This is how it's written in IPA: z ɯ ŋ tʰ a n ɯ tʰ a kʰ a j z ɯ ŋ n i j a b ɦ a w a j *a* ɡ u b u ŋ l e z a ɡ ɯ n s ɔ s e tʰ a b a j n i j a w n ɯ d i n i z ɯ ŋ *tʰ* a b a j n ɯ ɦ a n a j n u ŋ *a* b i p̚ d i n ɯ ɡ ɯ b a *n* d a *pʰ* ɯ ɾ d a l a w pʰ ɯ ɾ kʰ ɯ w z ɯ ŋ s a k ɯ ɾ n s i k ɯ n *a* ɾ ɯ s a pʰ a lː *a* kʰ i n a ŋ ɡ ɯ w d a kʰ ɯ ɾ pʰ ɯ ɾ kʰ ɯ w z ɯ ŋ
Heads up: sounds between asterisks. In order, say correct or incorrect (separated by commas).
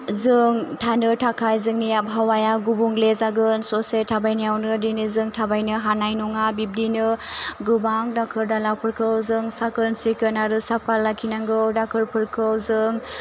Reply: correct, correct, correct, incorrect, incorrect, correct, correct